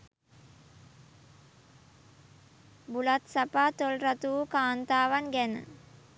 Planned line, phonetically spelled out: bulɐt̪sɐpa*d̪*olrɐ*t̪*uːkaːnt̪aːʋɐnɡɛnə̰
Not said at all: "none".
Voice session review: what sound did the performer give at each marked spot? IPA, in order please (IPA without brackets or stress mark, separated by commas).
t̪, t̪